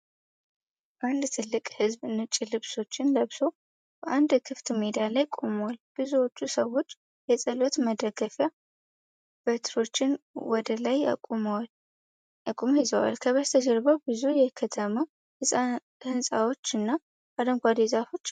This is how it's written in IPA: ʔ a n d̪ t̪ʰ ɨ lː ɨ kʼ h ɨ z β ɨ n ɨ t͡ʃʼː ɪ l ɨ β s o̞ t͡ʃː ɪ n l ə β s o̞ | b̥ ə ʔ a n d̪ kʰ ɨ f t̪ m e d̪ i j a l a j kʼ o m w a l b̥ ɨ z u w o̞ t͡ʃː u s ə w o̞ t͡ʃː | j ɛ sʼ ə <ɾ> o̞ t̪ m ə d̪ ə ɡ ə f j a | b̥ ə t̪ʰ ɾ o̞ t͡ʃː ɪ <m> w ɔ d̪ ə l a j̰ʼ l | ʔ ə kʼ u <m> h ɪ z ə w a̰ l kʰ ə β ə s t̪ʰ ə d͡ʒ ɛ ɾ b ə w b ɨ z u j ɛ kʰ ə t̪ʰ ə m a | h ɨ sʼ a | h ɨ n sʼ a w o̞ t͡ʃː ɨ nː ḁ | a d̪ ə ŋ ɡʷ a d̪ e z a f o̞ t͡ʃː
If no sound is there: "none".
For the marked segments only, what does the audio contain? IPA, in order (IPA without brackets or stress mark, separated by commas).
l, n, m